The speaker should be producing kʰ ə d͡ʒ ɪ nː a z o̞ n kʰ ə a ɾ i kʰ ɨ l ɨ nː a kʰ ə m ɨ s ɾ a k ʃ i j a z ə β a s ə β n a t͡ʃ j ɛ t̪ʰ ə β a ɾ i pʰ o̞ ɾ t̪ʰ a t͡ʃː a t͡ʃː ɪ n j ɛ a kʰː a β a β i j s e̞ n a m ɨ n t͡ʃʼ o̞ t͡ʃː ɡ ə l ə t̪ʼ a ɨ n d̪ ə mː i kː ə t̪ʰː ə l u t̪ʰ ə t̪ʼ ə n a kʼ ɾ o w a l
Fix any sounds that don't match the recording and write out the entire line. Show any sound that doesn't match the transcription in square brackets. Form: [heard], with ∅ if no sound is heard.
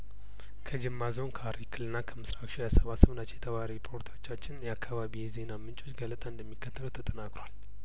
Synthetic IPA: kʰ ə d͡ʒ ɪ [mː] a z o̞ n kʰ ə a ɾ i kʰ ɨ l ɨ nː a kʰ ə m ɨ s ɾ a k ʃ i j a [s] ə β a s ə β n a t͡ʃ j ɛ t̪ʰ ə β a ɾ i pʰ o̞ ɾ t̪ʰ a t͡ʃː a t͡ʃː ɪ n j ɛ a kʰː a β a β i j [z] e̞ n a m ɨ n t͡ʃʼ o̞ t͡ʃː ɡ ə l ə t̪ʼ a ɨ n d̪ ə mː i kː ə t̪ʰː ə l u t̪ʰ ə t̪ʼ ə n a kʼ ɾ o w a l

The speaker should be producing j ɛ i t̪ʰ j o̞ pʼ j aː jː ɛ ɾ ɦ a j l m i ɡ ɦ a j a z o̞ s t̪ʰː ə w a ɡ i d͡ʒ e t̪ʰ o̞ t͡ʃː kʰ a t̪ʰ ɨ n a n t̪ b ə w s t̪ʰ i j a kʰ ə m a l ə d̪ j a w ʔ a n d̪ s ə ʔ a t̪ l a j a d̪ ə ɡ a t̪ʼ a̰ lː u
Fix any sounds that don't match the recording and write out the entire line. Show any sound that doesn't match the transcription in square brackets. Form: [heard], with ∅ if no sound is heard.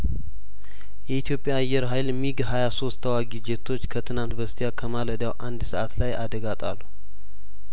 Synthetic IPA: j ɛ i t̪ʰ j o̞ pʼ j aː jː ɛ ɾ ɦ a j l m i ɡ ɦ a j a [s] o̞ s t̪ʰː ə w a ɡ i d͡ʒ e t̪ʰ o̞ t͡ʃː kʰ [ə] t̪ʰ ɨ n a n t̪ b ə [∅] s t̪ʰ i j a kʰ ə m a l ə d̪ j a w ʔ a n d̪ s ə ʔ a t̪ l a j a d̪ ə ɡ a t̪ʼ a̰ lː u

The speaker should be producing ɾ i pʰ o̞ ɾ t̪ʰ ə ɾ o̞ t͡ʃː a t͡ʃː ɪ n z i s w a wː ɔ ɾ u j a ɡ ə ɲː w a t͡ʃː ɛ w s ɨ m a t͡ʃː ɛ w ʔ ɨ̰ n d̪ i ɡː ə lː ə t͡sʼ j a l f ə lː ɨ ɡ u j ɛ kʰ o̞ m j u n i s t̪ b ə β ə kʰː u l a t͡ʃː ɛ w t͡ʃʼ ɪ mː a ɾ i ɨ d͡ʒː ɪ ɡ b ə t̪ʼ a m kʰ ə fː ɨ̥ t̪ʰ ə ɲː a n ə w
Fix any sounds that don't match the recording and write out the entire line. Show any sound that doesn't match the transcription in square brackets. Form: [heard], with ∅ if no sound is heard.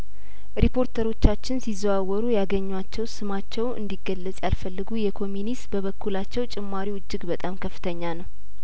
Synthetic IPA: ɾ i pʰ o̞ ɾ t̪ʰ ə ɾ o̞ t͡ʃː a t͡ʃː ɪ n [s] i [z] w a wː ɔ ɾ u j a ɡ ə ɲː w a t͡ʃː ɛ w s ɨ m a t͡ʃː ɛ w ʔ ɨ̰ n d̪ i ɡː ə lː ə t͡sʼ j a l f ə lː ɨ ɡ u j ɛ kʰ o̞ m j u n i s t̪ b ə β ə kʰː u l a t͡ʃː ɛ w t͡ʃʼ ɪ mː a ɾ i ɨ d͡ʒː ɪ ɡ b ə t̪ʼ a m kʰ ə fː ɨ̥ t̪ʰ ə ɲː a n ə w

